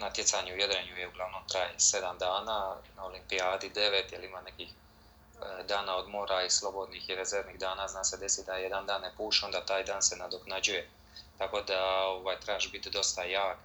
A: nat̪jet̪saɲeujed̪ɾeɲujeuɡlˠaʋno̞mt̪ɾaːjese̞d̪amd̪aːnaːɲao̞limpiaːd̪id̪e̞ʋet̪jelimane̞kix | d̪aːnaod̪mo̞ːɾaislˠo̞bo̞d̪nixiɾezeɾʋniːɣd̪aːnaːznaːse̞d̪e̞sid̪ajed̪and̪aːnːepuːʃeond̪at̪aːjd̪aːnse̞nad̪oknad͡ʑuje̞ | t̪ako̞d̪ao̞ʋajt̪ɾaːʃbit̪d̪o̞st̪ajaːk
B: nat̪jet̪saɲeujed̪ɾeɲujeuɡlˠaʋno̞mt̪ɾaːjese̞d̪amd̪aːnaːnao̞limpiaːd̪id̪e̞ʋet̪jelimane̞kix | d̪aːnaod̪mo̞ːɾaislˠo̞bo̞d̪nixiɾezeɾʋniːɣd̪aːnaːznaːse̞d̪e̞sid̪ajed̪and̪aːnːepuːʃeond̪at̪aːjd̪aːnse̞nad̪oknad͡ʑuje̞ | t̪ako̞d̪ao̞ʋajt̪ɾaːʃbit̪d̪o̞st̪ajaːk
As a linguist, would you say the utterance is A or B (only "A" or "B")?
B